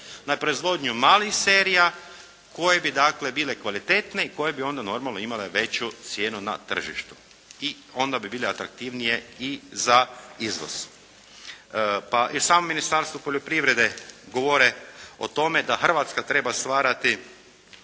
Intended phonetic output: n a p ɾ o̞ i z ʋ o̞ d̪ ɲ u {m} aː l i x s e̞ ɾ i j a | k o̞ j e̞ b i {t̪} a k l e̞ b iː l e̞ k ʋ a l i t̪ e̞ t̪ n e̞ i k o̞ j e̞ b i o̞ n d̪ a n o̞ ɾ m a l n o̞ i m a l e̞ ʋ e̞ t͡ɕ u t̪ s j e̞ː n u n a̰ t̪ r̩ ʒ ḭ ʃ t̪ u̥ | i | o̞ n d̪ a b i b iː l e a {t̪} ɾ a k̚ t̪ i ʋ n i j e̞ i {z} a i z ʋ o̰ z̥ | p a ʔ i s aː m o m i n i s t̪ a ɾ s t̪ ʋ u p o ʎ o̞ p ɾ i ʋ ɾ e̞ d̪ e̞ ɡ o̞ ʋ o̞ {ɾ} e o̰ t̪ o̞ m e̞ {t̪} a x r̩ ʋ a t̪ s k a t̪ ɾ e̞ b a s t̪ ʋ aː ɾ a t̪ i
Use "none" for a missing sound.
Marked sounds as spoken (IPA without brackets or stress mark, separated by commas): m, d̪, t̪, z, ɾ, d̪